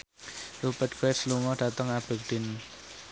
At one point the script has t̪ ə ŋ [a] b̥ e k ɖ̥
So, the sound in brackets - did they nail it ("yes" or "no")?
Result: yes